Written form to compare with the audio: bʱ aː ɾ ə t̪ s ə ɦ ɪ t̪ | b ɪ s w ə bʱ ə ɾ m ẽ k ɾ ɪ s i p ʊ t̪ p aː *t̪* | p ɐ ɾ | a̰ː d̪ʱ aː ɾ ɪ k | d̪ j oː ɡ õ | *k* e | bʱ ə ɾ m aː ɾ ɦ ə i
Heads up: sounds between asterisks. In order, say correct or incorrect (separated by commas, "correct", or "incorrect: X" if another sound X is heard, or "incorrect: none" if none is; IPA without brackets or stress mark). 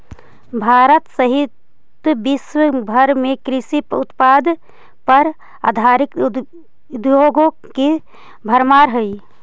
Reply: incorrect: d̪, correct